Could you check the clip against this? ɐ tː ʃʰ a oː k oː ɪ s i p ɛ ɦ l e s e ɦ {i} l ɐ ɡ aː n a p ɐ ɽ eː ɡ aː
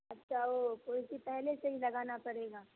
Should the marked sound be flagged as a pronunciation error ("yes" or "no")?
no